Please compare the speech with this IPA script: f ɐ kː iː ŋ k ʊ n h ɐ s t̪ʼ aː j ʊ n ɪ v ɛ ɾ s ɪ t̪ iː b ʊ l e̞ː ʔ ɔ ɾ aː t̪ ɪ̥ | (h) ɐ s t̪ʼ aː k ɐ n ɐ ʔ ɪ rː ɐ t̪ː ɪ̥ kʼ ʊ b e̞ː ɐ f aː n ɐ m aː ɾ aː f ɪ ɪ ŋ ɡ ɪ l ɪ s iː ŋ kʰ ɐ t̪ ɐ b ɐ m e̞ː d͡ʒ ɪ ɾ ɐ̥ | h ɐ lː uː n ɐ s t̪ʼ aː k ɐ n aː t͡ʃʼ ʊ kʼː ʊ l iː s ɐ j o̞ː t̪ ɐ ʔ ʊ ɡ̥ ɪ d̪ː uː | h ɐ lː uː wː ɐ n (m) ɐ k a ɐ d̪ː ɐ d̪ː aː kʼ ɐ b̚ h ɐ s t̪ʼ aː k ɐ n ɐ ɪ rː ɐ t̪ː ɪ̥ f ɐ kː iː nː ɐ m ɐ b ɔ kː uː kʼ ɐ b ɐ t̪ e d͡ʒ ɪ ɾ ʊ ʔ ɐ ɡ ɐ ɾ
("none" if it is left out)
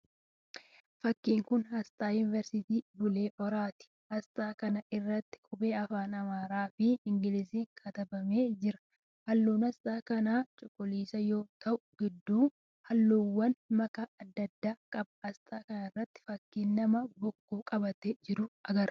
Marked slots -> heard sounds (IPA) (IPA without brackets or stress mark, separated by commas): h, m